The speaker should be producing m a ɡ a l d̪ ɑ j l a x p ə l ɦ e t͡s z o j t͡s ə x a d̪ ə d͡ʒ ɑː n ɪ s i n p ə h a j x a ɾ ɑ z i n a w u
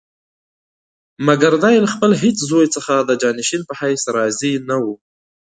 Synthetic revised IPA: m a ɡ a ɾ d̪ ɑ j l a x p ə l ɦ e t͡s z o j t͡s ə x a d̪ ə d͡ʒ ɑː n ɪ ʃ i n p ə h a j s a ɾ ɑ z i n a w u